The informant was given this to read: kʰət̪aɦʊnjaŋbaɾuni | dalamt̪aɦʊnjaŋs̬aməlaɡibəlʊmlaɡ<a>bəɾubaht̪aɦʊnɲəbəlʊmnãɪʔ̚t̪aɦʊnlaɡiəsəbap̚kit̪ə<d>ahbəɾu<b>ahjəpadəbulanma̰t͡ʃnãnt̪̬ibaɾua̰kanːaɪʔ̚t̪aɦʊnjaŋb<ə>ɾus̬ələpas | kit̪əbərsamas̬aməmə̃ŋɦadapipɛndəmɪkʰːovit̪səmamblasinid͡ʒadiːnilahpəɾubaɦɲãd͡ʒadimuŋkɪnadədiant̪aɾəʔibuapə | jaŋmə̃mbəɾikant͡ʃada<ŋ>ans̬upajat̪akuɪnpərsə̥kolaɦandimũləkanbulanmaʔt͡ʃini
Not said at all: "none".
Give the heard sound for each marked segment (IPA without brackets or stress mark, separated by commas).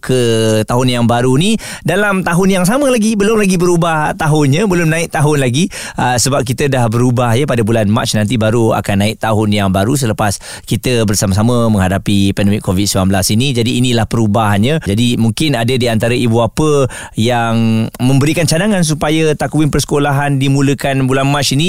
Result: i, d, b, a, ŋ